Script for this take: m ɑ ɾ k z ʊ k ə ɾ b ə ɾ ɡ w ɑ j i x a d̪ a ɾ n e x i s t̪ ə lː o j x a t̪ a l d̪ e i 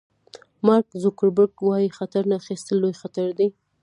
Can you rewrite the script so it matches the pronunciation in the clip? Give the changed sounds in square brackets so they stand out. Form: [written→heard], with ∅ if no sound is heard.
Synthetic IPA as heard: m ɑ ɾ k z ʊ k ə ɾ b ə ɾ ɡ w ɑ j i x a [d̪→t̪] a ɾ n [e→a] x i s t̪ ə lː o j x a t̪ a [l→ɾ] d̪ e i